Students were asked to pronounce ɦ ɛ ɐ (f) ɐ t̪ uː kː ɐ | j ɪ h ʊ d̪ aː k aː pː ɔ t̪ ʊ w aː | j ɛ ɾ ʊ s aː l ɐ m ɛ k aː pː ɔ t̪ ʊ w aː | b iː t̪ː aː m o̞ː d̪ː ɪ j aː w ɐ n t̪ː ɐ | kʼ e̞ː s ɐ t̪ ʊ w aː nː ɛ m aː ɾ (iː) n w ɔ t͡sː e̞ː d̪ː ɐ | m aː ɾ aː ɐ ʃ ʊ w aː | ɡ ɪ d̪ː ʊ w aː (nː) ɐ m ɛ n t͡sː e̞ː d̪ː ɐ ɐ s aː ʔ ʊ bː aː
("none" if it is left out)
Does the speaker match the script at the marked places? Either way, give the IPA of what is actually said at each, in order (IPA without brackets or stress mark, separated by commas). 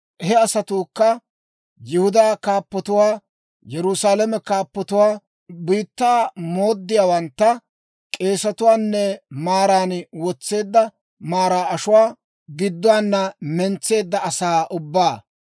s, aː, nː